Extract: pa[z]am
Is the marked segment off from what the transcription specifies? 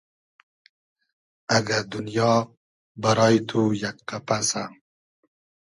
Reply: yes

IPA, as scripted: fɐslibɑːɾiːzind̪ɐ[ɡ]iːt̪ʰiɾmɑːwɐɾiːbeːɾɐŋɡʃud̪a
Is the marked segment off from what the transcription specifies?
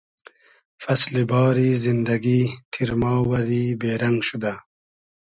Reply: no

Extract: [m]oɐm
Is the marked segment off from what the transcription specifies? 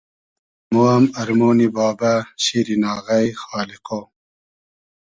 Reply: no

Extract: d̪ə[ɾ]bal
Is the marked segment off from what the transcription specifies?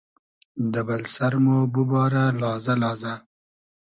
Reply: yes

